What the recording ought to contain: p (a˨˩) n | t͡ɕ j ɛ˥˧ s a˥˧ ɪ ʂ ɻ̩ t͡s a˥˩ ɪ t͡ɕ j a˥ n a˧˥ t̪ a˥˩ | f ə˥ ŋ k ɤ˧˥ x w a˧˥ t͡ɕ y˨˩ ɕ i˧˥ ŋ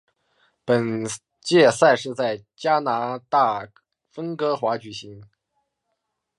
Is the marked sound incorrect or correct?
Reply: incorrect: ə˨˩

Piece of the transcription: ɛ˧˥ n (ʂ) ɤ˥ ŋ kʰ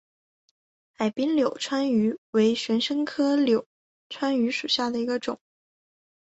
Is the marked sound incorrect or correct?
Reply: correct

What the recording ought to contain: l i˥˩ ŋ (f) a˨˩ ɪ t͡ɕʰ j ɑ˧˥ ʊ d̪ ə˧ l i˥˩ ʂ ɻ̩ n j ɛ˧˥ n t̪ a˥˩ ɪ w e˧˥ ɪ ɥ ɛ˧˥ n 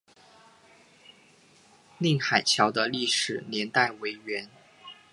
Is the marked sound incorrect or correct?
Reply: incorrect: x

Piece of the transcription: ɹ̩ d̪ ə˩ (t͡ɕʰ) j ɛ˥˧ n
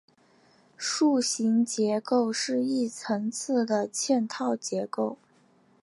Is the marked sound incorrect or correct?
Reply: correct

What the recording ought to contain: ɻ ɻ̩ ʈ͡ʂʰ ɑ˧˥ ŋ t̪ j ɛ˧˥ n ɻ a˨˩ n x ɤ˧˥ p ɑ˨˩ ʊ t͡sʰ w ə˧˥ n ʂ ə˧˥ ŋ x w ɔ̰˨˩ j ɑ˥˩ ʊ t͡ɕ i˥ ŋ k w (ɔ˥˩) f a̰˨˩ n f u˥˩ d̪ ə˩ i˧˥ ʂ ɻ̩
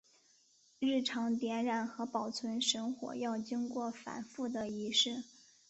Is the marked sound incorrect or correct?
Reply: correct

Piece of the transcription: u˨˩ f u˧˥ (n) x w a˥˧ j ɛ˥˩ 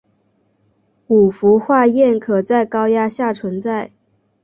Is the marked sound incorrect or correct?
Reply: incorrect: none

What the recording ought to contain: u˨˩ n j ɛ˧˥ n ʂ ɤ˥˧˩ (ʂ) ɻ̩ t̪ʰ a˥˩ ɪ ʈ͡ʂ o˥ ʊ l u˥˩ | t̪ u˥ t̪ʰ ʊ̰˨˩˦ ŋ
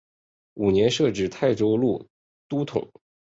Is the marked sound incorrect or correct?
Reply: incorrect: ʈ͡ʂ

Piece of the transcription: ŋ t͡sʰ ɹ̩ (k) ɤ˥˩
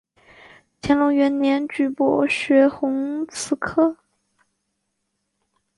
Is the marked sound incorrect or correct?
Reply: incorrect: kʰ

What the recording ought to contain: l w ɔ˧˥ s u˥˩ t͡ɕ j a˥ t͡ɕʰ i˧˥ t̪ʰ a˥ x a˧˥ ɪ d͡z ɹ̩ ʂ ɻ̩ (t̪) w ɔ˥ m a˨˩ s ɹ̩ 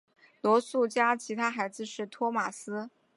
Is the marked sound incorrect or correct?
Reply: incorrect: t̪ʰ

